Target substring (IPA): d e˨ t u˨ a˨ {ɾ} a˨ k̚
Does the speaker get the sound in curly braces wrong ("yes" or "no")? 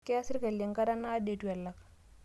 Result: yes